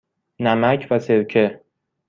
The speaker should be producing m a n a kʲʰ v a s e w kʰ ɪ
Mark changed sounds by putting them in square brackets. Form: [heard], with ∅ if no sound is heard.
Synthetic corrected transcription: [n] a [m] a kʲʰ v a s e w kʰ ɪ